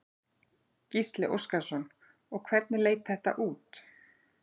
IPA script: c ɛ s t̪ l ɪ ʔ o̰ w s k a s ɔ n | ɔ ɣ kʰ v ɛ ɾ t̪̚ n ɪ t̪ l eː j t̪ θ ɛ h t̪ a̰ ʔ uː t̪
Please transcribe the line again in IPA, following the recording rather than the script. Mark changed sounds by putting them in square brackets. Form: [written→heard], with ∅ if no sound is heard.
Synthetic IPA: c [ɛ→i] s t̪ l ɪ ʔ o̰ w s k a s ɔ n | ɔ ɣ kʰ v ɛ ɾ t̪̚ n ɪ [t̪→∅] l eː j t̪ θ ɛ h t̪ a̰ ʔ uː t̪